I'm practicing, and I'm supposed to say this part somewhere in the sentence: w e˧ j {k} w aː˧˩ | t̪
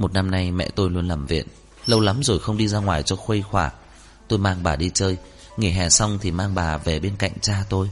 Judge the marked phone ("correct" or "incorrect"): incorrect